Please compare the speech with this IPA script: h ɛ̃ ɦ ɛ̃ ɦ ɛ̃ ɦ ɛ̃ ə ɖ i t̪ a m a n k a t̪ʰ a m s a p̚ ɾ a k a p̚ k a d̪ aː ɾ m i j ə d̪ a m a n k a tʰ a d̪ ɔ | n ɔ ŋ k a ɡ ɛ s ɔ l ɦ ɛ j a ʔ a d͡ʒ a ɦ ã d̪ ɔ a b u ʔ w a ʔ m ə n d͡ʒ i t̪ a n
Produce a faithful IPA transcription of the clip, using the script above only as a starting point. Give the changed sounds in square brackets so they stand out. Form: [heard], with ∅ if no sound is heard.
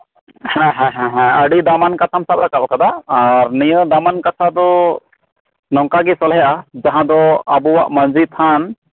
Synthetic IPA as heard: h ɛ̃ ɦ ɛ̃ ɦ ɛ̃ ɦ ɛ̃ ə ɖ i [d̪] a m a n k a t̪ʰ a m s a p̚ ɾ a k a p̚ k a d̪ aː ɾ [n] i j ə d̪ a m a n k a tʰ a d̪ ɔ | n ɔ ŋ k a ɡ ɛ s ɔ l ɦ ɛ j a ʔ a d͡ʒ a ɦ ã d̪ ɔ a b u [∅] w a ʔ m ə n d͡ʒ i [t̪ʰ] a n